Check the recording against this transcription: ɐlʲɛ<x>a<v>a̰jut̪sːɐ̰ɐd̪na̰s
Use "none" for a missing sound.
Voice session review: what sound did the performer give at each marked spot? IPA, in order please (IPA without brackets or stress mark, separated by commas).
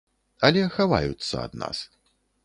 x, v